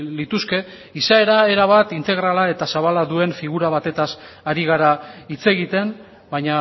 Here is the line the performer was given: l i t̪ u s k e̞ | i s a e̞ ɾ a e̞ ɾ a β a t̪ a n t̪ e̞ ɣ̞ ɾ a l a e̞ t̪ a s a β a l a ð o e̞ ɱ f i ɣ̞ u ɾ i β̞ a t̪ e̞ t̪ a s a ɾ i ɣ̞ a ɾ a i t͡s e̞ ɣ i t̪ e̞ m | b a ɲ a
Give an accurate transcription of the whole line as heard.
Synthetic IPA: l i t̪ u s k e̞ | i s a e̞ ɾ a e̞ ɾ a β a t̪ i n t̪ e̞ ɣ̞ ɾ a l a e̞ t̪ a s a β a l a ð u e̞ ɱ f i ɣ̞ u ɾ a β̞ a t̪ e̞ t̪ a s a ɾ i ɣ̞ a ɾ a i t͡s e̞ ɣ i t̪ e̞ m | b a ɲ a